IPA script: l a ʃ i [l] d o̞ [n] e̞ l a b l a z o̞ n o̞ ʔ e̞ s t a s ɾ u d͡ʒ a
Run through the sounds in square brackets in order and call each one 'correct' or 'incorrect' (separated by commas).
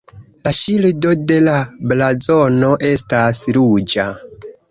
correct, incorrect